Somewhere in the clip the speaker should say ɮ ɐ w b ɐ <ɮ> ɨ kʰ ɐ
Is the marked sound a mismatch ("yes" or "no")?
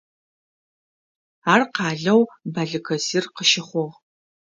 no